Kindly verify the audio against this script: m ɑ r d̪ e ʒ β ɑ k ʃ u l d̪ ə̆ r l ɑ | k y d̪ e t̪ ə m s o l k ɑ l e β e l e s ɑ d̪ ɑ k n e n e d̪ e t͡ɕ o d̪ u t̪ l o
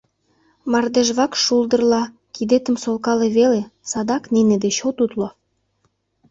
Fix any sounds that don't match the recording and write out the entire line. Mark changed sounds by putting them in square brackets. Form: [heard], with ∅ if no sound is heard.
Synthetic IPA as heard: m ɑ r d̪ e ʒ β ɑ k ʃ u l d̪ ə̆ r l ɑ | k [i] d̪ e t̪ ə m s o l k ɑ l e β e l e s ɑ d̪ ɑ k n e n e d̪ e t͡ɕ o [t̪] u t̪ l o